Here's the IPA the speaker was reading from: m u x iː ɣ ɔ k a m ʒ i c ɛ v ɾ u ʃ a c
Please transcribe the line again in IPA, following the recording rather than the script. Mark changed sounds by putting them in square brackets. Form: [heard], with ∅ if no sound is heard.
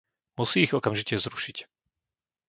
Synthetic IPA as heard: m u [s] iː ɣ ɔ k a m ʒ i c ɛ [z] ɾ u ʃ [i] c